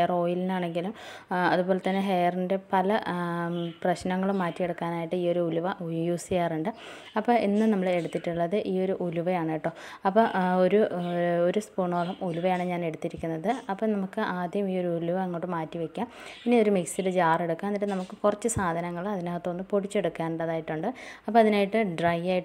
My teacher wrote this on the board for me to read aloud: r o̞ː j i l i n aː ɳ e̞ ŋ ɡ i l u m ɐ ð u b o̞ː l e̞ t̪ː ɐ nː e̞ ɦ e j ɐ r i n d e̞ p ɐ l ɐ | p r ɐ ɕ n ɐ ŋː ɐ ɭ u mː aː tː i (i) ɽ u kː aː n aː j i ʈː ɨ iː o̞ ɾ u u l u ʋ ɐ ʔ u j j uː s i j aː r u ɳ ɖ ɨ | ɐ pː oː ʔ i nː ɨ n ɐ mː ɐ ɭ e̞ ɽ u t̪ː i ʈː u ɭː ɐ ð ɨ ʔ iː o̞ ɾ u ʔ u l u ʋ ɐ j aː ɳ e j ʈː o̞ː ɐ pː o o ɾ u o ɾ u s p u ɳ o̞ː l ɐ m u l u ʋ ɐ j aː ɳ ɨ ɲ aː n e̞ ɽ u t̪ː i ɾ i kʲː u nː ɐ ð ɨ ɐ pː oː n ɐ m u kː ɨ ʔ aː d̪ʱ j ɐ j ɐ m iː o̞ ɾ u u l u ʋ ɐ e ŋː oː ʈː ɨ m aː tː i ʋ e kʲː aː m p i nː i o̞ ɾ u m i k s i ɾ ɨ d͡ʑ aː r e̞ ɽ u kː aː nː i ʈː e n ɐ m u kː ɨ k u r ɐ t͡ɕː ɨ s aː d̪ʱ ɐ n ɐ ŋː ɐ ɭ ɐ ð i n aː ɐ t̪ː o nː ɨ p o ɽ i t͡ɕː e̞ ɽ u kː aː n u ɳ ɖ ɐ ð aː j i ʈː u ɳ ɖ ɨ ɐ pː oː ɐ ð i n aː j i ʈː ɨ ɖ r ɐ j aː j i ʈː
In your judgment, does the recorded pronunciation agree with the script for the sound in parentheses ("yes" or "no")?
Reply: no